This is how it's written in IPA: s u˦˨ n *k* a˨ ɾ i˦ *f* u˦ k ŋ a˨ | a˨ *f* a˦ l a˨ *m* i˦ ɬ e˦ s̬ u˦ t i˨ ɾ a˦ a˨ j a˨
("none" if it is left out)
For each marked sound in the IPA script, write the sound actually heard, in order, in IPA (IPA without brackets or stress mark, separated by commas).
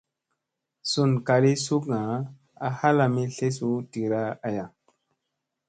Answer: k, s, h, m